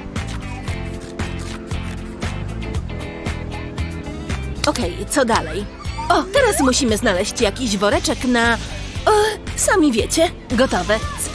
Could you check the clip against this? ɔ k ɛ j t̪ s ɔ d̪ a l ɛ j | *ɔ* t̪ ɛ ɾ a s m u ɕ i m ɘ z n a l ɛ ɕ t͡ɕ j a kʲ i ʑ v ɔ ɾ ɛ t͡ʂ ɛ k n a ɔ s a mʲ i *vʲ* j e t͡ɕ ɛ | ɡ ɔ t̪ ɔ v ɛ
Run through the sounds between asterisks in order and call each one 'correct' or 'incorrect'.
correct, correct

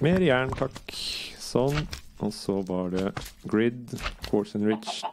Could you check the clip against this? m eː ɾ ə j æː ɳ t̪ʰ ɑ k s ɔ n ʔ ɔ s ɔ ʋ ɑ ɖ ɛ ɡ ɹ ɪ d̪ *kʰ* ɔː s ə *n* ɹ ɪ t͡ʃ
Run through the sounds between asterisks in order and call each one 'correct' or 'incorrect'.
correct, correct

